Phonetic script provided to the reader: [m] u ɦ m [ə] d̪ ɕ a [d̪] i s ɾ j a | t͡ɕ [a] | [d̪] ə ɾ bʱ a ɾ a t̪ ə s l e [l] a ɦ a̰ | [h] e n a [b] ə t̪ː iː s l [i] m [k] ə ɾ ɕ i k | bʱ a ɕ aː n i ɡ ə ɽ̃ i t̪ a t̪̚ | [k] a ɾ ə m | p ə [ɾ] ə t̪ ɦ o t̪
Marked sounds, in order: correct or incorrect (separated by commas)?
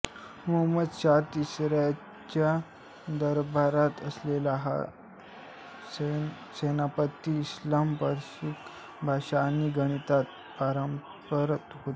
correct, correct, incorrect, correct, correct, correct, incorrect, incorrect, incorrect, incorrect, incorrect, correct